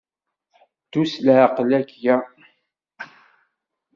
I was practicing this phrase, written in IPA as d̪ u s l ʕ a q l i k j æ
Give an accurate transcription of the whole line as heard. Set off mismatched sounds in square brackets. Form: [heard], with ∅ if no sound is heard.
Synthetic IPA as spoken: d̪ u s l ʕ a q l [æ] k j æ

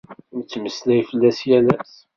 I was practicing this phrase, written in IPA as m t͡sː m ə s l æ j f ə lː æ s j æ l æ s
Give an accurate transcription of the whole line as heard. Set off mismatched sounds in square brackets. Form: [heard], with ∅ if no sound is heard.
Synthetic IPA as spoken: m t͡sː m ə s l æ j f ə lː æ s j æ l æ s

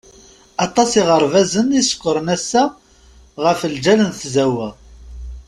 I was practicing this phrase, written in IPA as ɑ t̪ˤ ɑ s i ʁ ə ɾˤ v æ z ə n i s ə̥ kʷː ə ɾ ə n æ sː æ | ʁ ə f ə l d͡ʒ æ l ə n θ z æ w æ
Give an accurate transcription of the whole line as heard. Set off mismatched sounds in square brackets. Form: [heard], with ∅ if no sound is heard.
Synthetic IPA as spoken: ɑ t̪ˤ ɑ s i ʁ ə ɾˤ v æ z ə n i s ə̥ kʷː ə ɾ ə n æ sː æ | ʁ ə f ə l d͡ʒ æ l ə n θ z æ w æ

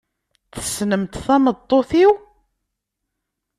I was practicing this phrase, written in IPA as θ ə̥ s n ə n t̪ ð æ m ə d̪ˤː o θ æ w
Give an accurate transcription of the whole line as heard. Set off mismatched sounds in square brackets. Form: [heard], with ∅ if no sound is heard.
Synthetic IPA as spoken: θ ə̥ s n ə [m] t̪ [θ] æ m ə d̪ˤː o θ [i] w

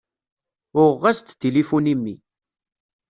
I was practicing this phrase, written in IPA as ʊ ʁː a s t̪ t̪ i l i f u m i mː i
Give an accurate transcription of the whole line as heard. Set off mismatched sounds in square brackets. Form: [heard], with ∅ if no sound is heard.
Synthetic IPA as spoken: ʊ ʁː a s t̪ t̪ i l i f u [n] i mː i

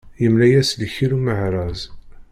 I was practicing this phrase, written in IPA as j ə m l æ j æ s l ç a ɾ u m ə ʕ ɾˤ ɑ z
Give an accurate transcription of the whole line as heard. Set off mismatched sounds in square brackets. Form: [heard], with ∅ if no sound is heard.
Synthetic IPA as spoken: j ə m l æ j æ s l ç [i] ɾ u m ə ʕ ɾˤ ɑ z

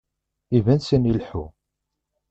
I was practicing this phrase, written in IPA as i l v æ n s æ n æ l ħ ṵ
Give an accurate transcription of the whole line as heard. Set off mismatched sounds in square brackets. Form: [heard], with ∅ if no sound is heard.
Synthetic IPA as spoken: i [∅] v æ n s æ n [i] l ħ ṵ

